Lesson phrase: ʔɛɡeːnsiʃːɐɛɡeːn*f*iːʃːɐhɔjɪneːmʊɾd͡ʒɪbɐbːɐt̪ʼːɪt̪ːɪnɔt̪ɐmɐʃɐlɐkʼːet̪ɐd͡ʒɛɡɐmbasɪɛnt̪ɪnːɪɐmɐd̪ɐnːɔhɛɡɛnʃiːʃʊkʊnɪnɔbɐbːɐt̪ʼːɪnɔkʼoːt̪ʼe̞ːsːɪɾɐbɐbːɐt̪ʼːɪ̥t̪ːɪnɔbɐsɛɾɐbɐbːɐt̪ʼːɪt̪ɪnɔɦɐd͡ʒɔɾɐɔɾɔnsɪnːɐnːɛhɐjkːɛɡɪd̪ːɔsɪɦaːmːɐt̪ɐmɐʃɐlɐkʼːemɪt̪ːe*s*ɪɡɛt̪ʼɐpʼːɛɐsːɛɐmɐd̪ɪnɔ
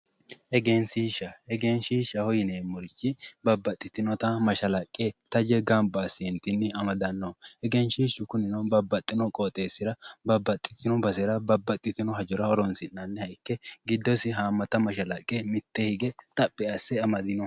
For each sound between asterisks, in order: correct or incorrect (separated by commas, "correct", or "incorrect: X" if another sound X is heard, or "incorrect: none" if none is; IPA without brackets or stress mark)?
incorrect: ʃ, incorrect: h